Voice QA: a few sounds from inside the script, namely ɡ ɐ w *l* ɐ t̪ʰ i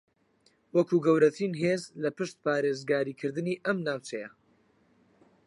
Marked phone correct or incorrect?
incorrect: ɾ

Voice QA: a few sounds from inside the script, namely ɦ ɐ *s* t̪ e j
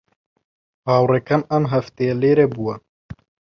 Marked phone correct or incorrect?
incorrect: f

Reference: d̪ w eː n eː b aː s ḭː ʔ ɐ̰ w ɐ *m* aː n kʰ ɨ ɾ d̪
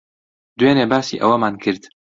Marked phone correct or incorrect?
correct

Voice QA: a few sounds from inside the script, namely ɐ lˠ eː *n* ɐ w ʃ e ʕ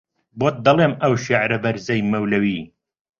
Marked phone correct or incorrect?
incorrect: m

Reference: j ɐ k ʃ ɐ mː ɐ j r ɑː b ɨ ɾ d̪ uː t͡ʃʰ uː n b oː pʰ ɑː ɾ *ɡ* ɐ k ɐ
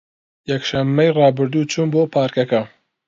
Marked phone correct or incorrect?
incorrect: k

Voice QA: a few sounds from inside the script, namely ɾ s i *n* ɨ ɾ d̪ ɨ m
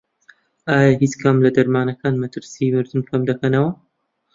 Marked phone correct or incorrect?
incorrect: m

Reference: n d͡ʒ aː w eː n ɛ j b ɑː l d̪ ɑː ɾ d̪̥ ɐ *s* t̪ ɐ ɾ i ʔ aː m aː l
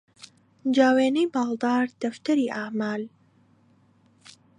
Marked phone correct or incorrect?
incorrect: f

